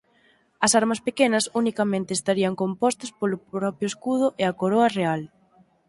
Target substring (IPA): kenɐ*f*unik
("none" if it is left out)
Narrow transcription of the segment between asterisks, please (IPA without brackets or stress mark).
s